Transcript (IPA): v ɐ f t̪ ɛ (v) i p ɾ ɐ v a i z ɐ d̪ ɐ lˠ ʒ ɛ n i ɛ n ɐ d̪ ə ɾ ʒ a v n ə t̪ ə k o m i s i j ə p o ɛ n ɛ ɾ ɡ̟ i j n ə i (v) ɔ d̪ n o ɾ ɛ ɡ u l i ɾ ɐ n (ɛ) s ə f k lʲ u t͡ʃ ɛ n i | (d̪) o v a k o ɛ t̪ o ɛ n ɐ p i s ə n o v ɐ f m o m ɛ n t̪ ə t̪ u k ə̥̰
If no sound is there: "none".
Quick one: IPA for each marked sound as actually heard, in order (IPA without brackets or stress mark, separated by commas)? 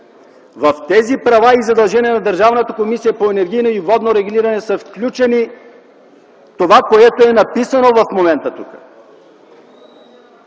z, v, ɛ, t̪